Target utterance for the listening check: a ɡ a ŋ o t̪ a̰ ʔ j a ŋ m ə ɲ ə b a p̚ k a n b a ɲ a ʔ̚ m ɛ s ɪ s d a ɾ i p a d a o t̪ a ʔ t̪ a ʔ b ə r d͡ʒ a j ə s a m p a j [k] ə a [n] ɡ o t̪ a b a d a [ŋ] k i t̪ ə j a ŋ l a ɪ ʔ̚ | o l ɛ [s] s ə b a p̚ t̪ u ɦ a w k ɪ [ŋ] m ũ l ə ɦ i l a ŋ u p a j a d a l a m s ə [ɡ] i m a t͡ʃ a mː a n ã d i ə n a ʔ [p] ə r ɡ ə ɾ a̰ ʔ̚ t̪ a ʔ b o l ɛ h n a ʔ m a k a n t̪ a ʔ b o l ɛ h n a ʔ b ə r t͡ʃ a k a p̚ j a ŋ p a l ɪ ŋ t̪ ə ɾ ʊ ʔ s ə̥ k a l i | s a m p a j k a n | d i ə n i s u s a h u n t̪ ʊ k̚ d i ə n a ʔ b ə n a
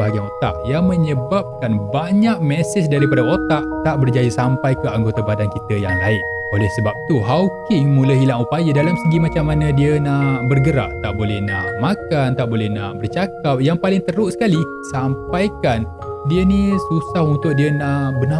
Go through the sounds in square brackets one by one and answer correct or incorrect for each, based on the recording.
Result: correct, incorrect: ŋ, incorrect: n, incorrect: h, correct, correct, incorrect: b

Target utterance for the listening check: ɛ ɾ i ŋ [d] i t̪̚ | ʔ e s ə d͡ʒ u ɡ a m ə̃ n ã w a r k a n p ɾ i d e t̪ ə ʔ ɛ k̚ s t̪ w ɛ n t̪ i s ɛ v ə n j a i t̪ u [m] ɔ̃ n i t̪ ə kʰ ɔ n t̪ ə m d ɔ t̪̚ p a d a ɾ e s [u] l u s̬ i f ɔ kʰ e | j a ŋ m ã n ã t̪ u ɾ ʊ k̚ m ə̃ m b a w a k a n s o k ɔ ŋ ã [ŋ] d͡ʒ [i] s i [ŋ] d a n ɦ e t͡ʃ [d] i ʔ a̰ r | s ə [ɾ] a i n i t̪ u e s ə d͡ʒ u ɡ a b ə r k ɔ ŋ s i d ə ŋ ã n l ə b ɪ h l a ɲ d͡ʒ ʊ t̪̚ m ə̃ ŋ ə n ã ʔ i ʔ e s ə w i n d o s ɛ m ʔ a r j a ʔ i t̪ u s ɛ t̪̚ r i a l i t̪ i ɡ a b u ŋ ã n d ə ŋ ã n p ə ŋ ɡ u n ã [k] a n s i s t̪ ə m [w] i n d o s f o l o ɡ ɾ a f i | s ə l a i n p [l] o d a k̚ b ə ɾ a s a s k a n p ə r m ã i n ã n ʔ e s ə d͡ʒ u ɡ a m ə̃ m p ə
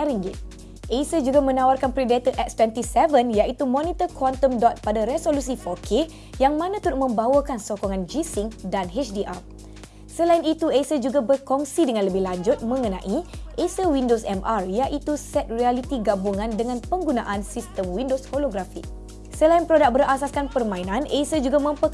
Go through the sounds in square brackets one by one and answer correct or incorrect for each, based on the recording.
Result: incorrect: ɡ, correct, incorrect: o, incorrect: n, correct, correct, correct, incorrect: l, incorrect: ʔ, correct, incorrect: ɾ

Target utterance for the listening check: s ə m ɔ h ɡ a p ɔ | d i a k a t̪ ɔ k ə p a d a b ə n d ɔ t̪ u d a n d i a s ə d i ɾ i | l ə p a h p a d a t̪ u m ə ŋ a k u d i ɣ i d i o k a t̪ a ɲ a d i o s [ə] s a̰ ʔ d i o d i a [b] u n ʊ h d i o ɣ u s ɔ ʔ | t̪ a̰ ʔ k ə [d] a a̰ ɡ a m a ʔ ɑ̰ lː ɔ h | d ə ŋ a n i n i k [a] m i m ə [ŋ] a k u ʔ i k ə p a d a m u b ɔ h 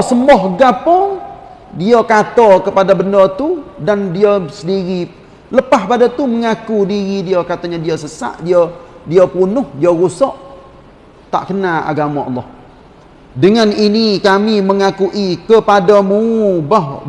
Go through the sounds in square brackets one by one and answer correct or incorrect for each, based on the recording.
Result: correct, incorrect: p, incorrect: n, correct, correct

